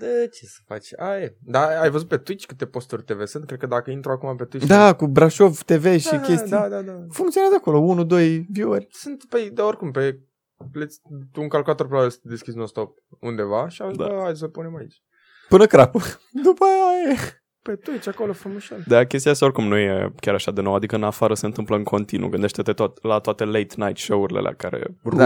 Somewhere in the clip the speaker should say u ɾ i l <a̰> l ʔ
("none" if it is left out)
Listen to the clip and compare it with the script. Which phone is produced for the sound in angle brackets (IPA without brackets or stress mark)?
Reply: ḛ